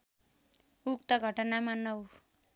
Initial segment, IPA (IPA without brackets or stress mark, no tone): u